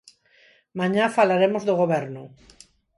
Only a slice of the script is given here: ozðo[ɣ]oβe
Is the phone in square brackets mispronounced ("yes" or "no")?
no